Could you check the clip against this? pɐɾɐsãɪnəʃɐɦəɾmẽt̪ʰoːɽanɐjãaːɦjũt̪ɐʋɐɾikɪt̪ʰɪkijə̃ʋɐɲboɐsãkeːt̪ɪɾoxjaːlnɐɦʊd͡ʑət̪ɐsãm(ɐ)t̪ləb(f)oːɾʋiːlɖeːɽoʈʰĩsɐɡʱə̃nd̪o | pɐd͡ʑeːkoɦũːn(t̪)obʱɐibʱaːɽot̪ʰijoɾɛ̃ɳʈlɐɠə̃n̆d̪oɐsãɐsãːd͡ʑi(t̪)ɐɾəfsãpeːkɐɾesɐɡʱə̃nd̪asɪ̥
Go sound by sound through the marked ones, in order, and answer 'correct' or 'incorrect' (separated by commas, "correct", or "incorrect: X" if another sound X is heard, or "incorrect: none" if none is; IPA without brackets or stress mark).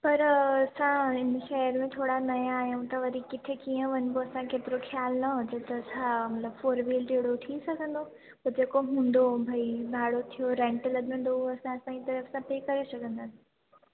correct, correct, incorrect: d̪, correct